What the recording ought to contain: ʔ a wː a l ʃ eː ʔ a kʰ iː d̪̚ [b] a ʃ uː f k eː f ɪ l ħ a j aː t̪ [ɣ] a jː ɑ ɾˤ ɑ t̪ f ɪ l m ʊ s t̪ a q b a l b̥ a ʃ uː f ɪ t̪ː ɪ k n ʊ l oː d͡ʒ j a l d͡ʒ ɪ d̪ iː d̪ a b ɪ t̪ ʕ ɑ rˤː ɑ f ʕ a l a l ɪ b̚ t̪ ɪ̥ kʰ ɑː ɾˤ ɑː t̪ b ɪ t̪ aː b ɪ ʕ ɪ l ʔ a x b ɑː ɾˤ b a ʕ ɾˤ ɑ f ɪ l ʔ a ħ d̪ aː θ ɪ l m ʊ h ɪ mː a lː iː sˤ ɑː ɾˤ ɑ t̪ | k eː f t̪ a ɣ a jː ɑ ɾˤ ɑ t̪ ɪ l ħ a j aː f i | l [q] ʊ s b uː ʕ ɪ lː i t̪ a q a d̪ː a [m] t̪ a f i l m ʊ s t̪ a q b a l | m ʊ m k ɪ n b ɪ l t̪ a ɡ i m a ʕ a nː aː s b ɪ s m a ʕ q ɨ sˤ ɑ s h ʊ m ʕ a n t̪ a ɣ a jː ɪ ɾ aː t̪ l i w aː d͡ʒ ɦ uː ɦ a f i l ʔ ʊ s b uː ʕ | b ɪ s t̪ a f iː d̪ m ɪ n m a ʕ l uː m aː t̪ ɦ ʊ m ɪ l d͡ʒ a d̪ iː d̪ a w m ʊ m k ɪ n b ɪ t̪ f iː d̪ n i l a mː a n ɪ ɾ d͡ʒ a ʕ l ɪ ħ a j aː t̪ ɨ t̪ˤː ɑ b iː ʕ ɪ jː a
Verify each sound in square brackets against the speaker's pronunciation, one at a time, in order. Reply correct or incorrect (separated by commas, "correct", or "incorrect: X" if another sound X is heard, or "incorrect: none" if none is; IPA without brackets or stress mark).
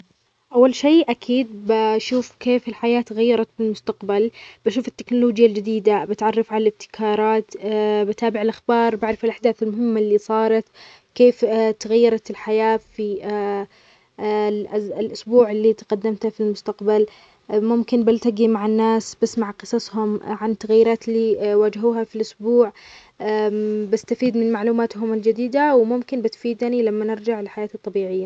correct, correct, incorrect: ʔ, correct